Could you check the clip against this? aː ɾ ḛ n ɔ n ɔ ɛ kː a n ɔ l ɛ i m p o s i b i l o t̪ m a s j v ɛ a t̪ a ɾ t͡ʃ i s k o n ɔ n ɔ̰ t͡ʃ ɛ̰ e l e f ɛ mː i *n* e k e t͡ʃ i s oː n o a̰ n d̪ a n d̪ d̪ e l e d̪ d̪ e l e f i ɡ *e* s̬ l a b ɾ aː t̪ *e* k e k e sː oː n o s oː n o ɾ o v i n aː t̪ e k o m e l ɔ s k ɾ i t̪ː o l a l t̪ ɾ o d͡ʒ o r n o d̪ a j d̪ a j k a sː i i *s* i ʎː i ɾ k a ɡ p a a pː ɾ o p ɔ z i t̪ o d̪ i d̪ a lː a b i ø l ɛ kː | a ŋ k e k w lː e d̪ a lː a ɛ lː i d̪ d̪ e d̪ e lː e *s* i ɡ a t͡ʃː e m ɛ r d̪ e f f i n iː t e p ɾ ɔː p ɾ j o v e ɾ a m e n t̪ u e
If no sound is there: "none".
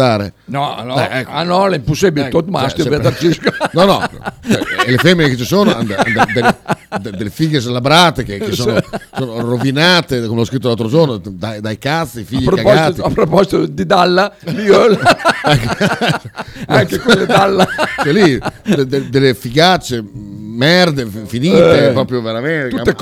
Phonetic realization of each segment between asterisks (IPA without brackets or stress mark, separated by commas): n, e, e, f, f